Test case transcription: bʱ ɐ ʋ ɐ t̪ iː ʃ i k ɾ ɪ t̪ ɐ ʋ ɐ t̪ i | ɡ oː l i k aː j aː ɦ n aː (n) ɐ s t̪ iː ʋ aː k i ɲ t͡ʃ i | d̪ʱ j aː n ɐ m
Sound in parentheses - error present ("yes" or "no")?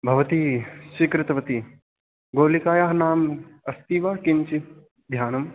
yes